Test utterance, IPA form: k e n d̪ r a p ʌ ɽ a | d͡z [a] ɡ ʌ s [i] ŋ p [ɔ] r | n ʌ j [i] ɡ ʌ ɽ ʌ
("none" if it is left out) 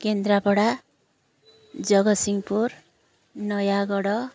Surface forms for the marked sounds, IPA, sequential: ʌ, i, u, a

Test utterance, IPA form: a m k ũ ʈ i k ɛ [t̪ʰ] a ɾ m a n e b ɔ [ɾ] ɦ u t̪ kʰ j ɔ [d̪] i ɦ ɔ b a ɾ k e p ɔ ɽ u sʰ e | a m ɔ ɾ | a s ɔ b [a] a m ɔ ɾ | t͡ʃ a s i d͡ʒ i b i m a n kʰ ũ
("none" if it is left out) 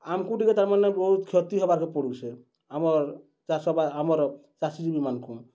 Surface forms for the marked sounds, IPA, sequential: t̪, none, t̪, a

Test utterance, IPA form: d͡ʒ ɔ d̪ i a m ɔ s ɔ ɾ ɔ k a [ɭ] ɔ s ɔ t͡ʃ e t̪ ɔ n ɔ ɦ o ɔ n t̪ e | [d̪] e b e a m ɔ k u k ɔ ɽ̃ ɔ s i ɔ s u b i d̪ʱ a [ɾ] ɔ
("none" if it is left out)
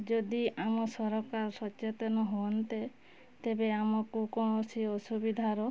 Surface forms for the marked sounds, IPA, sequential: ɾ, t̪, ɾ

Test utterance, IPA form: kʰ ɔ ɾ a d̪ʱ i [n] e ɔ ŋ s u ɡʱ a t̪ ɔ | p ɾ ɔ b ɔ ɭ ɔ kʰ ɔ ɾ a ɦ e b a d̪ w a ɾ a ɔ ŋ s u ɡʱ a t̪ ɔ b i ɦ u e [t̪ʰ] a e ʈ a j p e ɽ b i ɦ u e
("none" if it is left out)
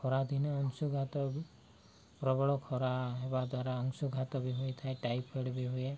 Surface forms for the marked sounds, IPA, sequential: n, t̪ʰ

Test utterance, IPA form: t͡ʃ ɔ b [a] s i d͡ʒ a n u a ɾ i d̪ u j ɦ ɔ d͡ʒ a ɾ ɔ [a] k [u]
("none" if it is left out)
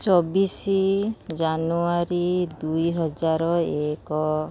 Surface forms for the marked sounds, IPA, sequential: i, e, ɔ

